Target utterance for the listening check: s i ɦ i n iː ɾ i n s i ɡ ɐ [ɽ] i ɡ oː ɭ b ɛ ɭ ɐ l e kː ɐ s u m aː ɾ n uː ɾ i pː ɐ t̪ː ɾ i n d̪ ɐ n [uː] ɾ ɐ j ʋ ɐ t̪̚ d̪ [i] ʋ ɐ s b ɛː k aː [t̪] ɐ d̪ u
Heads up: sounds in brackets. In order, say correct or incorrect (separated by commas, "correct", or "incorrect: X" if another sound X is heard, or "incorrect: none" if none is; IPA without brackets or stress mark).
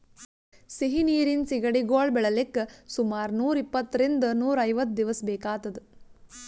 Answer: correct, correct, correct, correct